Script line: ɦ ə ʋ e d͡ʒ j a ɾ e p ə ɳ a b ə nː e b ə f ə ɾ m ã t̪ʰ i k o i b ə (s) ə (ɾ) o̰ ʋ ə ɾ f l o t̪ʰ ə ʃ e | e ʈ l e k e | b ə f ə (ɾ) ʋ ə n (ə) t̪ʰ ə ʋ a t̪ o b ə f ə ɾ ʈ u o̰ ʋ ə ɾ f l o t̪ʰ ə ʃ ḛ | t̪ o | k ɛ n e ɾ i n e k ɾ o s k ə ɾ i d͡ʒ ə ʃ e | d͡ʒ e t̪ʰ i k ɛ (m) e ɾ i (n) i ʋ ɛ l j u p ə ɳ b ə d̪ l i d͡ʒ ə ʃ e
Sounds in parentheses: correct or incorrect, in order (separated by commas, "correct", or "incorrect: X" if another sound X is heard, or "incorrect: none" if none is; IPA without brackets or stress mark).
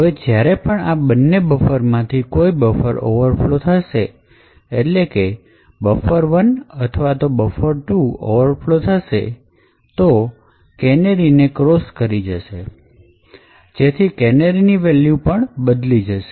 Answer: incorrect: f, correct, correct, correct, incorrect: n, correct